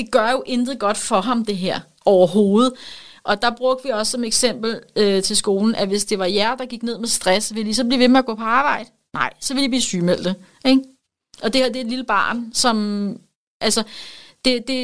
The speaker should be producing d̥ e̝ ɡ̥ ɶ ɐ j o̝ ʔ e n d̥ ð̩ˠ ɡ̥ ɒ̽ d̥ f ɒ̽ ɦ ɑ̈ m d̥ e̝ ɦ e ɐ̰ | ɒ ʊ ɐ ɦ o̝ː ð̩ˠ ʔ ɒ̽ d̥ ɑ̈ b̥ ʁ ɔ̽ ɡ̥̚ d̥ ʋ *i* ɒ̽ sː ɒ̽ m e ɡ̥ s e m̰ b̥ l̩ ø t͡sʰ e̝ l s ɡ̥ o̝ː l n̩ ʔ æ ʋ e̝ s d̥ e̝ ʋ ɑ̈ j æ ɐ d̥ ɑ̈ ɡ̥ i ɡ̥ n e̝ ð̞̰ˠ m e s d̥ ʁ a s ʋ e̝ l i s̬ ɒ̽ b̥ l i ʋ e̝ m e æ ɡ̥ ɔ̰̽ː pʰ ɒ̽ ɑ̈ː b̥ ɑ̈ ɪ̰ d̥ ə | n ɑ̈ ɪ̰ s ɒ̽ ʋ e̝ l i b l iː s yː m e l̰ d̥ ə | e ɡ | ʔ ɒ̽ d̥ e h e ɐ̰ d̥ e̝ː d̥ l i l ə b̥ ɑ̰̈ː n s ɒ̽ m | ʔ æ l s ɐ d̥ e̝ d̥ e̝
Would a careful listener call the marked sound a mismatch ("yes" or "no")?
no